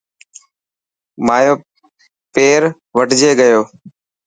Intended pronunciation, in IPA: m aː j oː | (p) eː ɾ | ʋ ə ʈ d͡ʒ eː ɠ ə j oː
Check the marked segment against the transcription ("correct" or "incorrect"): correct